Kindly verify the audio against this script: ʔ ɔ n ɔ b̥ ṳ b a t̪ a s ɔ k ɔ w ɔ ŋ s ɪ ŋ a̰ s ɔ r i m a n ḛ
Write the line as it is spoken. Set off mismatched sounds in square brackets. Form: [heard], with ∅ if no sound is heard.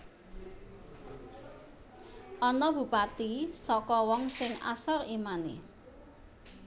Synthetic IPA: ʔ ɔ n ɔ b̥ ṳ [p] a t̪ [i] s ɔ k ɔ w ɔ ŋ s ɪ ŋ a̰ s ɔ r i m a n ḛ